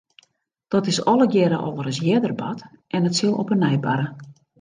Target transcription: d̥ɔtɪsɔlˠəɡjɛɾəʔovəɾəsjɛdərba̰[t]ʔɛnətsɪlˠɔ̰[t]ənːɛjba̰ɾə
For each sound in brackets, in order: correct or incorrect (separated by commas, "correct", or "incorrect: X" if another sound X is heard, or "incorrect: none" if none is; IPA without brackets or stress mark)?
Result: correct, incorrect: p